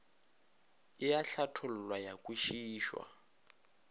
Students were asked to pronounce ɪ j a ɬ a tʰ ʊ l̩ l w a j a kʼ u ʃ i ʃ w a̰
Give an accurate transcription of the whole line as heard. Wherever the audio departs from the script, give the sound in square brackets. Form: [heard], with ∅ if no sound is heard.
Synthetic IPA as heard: ɪ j a ɬ a tʰ ʊ l̩ l w a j a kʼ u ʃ [iː] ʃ w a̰